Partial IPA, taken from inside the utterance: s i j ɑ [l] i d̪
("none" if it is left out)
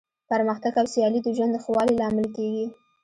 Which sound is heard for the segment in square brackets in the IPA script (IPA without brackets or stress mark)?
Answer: l